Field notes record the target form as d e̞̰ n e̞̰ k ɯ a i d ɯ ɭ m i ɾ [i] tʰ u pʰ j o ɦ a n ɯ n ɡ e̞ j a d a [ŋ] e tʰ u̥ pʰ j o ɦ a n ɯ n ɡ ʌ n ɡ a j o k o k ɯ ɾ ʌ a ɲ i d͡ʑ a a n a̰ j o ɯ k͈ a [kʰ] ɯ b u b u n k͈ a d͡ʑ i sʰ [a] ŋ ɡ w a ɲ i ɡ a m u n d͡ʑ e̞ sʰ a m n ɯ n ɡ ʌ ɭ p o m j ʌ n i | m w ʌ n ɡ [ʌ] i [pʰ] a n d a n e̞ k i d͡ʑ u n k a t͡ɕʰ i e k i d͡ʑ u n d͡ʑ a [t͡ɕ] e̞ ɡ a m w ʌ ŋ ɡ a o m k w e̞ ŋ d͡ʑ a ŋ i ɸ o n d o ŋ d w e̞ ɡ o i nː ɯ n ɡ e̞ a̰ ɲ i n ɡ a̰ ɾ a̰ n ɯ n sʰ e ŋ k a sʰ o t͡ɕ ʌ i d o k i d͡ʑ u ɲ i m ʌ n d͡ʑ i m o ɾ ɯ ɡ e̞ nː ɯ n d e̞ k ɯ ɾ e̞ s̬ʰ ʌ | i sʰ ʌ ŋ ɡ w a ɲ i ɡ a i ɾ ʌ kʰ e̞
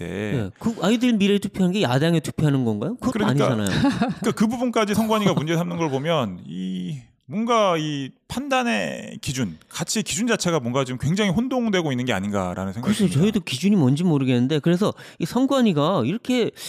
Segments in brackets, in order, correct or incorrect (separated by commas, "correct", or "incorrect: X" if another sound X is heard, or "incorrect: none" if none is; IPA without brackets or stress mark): incorrect: e, correct, incorrect: k, incorrect: ʌ, incorrect: a, correct, incorrect: t͡ɕʰ